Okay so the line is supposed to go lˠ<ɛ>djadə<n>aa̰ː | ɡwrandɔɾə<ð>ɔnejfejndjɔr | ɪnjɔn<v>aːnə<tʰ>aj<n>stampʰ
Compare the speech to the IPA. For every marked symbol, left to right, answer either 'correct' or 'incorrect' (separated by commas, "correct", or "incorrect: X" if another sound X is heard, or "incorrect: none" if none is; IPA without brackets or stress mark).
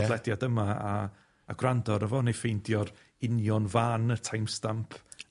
correct, incorrect: m, incorrect: v, correct, correct, incorrect: m